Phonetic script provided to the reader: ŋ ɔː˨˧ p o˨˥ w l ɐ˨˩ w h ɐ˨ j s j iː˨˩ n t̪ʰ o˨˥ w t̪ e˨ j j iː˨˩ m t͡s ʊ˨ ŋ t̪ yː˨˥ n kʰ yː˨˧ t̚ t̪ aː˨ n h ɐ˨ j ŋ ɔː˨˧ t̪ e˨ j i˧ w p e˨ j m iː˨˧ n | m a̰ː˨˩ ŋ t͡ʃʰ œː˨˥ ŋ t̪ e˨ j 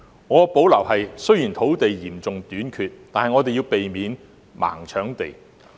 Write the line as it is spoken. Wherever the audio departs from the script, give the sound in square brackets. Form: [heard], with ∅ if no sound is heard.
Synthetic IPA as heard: ŋ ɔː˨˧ p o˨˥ w l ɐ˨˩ w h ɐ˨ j s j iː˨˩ n t̪ʰ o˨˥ w t̪ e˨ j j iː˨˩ m t͡s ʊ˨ ŋ t̪ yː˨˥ n kʰ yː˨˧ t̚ t̪ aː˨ n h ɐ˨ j ŋ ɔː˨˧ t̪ e˨ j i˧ w p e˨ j m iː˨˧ n | m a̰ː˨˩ ŋ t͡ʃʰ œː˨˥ ŋ t̪ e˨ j